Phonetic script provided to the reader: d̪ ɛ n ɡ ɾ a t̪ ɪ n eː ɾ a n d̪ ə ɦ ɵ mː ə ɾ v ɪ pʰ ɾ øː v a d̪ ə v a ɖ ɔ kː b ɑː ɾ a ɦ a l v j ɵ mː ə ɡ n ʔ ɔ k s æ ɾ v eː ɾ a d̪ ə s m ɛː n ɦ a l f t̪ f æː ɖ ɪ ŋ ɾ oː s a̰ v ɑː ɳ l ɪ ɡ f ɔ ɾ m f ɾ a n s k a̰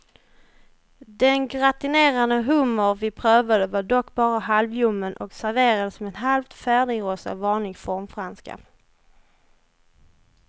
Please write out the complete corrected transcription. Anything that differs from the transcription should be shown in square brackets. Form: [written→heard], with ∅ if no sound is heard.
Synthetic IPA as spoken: d̪ ɛ n ɡ ɾ a t̪ ɪ n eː ɾ a n d̪ ə ɦ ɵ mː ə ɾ v ɪ pʰ ɾ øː v a d̪ ə v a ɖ ɔ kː b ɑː ɾ a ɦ a l v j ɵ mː ə [ɡ→∅] n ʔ ɔ k s æ ɾ v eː ɾ a d̪ ə s m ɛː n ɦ a l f t̪ f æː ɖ ɪ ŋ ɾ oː s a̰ v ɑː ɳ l ɪ ɡ f ɔ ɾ m f ɾ a n s k a̰

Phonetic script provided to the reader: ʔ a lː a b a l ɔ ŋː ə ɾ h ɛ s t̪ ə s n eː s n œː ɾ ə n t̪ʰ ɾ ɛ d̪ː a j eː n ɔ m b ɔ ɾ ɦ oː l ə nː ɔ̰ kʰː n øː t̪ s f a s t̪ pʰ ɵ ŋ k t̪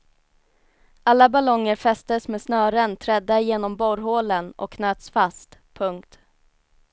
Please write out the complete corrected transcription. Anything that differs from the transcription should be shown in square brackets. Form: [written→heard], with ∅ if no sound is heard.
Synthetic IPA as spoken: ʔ a lː a b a l ɔ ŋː ə ɾ [h→f] ɛ s t̪ ə s [n→m] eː s n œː ɾ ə n t̪ʰ ɾ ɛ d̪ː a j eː n ɔ m b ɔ ɾ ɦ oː l ə [nː→n] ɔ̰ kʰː n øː t̪ s f a s t̪ pʰ ɵ ŋ k t̪

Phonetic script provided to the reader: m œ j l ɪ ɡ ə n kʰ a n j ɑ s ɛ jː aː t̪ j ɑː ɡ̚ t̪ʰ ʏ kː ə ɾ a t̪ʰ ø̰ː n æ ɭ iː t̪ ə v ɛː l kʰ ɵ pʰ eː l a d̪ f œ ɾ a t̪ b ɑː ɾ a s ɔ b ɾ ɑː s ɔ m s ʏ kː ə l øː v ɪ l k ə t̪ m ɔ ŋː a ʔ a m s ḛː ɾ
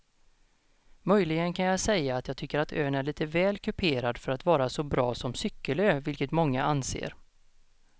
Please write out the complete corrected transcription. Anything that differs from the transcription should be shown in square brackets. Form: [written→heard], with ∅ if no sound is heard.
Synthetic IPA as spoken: m œ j l ɪ ɡ ə n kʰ a n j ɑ s ɛ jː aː t̪ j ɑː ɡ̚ t̪ʰ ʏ kː ə ɾ a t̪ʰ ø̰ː n æ ɭ iː t̪ ə v ɛː l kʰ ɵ pʰ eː [l→ɾ] a d̪ f œ ɾ a t̪ [b→v] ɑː ɾ a s ɔ b ɾ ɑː s ɔ m s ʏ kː ə l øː v ɪ l k ə t̪ m ɔ ŋː a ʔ a [m→n] s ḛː ɾ

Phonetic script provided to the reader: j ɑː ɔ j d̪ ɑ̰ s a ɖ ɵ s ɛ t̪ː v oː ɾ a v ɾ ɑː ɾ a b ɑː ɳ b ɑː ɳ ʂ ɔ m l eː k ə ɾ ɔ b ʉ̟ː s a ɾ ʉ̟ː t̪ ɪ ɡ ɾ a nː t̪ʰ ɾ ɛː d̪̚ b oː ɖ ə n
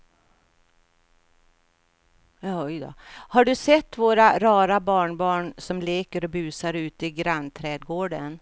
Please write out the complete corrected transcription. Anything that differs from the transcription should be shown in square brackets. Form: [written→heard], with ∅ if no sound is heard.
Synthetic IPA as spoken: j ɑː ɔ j d̪ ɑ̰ [s→h] a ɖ ɵ s ɛ t̪ː v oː ɾ a [v→∅] ɾ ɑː ɾ a b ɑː ɳ b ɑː ɳ [ʂ→s] ɔ m l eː k ə ɾ ɔ b ʉ̟ː s a ɾ ʉ̟ː t̪ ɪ ɡ ɾ a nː t̪ʰ ɾ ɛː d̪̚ [b→ɡ] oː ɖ ə n

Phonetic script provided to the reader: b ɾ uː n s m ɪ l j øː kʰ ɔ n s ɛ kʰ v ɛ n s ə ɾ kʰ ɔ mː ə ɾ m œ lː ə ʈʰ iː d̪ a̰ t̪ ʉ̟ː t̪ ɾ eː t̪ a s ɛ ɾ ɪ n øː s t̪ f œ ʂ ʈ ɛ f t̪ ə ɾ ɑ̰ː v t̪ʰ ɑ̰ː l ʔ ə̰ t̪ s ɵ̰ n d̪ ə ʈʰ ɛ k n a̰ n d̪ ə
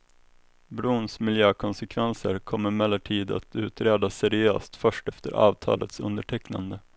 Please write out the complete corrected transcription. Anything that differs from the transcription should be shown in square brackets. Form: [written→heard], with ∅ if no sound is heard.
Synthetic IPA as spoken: b ɾ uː n s m ɪ l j øː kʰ ɔ n s ɛ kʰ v ɛ n s ə ɾ kʰ ɔ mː ə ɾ m [œ→ɛ] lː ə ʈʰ iː d̪ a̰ t̪ ʉ̟ː t̪ ɾ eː [t̪→d̪] a s ɛ ɾ ɪ [n→∅] øː s t̪ f œ ʂ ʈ ɛ f t̪ ə ɾ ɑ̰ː v t̪ʰ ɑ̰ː l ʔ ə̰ t̪ s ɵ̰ n d̪ ə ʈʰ ɛ k n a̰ n d̪ ə

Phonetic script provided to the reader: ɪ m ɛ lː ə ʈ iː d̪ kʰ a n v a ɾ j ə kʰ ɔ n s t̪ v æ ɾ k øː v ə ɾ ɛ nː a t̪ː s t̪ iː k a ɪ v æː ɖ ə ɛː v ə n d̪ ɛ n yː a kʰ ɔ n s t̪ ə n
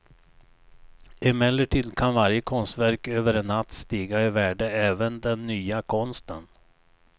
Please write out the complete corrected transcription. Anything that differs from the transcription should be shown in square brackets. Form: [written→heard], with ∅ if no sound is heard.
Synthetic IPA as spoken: ɪ m ɛ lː ə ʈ iː d̪ kʰ a n v a ɾ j ə kʰ ɔ n s t̪ v æ ɾ k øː v ə ɾ ɛ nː a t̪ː s t̪ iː [k→ɡ] a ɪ v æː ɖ ə ɛː v ə n d̪ ɛ [n→nː] yː a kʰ ɔ n s t̪ ə n

